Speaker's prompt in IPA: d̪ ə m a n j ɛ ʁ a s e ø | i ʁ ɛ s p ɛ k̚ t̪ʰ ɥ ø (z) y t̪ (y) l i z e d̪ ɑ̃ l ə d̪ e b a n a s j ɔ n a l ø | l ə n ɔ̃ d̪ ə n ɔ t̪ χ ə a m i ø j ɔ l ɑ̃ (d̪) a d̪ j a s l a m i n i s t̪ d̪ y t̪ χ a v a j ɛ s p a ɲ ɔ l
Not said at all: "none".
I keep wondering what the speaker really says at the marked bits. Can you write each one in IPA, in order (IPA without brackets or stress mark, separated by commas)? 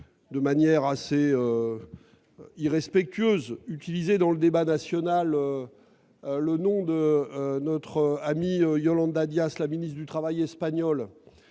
z, i, d̪